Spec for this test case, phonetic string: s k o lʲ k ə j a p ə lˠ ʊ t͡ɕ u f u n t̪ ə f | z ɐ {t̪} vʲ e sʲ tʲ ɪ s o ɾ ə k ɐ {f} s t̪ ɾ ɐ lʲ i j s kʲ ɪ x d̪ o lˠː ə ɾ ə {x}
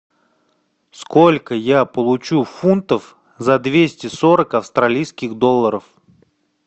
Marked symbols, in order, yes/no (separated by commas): no, yes, no